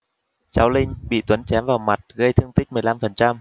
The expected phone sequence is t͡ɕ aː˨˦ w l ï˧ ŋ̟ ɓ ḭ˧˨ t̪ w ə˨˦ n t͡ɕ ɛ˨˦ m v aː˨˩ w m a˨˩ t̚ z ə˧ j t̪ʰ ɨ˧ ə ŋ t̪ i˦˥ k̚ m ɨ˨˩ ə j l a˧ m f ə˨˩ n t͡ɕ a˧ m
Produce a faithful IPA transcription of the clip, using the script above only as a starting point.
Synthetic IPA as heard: t͡ɕ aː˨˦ w l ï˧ ŋ̟ ɓ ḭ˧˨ t̪ w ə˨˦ n t͡ɕ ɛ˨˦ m v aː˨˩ w m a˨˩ t̚ ɣ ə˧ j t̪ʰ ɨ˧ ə ŋ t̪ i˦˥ k̚ m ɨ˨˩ ə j l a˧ m f ə˨˩ n t͡ɕ a˧ m